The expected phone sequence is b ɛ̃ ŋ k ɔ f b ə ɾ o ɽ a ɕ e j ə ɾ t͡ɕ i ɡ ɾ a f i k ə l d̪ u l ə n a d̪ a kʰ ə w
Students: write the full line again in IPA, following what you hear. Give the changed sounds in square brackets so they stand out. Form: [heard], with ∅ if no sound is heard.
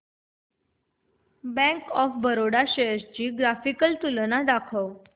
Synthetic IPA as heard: b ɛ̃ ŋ k ɔ f b ə ɾ o ɽ a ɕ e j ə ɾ t͡ɕ [iː] ɡ ɾ a f i k ə l [t̪] u l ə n a d̪ a kʰ ə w